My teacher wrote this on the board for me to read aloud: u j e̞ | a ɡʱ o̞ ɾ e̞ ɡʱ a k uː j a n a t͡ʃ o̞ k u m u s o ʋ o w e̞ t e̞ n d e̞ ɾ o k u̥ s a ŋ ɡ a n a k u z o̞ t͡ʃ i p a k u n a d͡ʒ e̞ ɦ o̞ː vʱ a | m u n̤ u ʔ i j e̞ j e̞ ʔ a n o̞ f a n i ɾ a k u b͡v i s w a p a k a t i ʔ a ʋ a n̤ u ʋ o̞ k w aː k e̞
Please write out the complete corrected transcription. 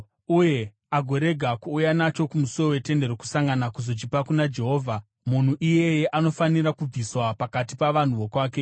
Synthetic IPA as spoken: u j e̞ | a ɡʱ o̞ ɾ e̞ ɡʱ a k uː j a n a t͡ʃ o̞ k u m u s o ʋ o w e̞ t e̞ n d e̞ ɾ o k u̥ s a ŋ ɡ a n a k u z o̞ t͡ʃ i p a k u n a d͡ʒ e̞ ɦ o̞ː vʱ a | m u n̤ u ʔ i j e̞ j e̞ ʔ a n o̞ f a n i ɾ a k u b͡v i s w a p a k a t i p a ʋ a n̤ u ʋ o̞ k w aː k e̞